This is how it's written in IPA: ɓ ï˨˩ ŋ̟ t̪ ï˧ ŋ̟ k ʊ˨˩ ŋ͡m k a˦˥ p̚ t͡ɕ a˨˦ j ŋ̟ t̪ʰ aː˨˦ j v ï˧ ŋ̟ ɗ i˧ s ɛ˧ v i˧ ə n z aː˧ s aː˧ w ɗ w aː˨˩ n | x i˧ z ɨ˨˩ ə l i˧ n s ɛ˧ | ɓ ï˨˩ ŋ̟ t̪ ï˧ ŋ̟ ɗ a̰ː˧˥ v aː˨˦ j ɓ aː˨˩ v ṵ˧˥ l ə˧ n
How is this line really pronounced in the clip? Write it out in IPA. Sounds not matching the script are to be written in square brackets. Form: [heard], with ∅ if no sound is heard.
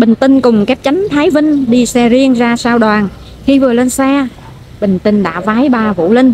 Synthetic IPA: ɓ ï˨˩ ŋ̟ t̪ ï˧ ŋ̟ k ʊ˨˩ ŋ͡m k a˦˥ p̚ t͡ɕ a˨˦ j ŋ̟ t̪ʰ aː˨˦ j v ï˧ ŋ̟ ɗ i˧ s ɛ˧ [z] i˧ ə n z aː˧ s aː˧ w ɗ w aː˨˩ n | x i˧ [v] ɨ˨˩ ə l [e˧] n s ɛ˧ | ɓ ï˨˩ ŋ̟ t̪ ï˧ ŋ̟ ɗ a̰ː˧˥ v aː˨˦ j ɓ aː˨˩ v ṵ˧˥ l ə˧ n